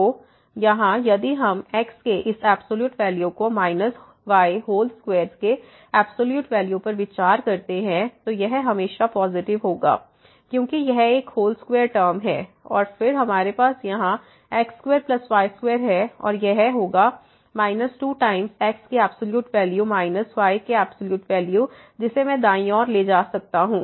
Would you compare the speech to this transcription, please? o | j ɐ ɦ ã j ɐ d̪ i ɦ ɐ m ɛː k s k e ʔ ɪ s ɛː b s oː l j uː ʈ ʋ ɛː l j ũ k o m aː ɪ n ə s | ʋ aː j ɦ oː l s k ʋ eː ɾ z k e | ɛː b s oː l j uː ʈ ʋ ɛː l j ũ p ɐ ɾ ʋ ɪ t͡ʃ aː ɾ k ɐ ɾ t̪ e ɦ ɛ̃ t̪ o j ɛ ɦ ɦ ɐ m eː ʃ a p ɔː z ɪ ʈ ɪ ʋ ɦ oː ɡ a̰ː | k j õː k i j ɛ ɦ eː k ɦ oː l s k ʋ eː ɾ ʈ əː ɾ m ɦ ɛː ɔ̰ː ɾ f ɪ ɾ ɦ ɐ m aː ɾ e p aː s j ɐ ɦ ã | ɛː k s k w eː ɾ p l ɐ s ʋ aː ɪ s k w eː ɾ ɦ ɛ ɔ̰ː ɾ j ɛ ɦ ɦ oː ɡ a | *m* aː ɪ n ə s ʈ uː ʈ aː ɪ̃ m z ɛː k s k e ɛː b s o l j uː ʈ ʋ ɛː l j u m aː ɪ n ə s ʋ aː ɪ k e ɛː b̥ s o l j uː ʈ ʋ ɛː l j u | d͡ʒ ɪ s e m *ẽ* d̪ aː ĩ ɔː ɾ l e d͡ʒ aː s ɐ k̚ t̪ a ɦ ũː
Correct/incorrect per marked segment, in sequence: correct, incorrect: ɛ̃

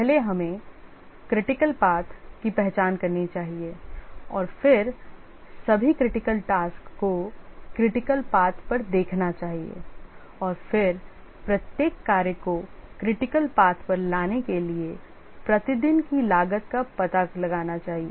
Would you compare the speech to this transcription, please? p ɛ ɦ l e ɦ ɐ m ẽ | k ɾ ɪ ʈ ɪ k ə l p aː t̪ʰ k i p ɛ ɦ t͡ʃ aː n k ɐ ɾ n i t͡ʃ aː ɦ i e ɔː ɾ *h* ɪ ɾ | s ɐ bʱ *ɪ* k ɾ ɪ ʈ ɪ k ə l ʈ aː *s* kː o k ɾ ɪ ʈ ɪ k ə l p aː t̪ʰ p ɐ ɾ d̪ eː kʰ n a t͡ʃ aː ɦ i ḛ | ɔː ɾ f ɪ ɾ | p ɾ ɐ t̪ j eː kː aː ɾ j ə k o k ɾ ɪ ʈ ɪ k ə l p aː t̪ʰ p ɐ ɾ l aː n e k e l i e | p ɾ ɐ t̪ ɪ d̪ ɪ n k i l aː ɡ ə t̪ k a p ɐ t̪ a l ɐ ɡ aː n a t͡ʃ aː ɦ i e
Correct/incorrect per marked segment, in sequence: incorrect: f, incorrect: i, correct

